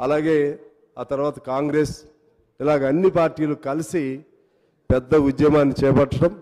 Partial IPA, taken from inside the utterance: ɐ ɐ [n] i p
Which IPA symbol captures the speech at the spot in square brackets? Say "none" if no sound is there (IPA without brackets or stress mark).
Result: nː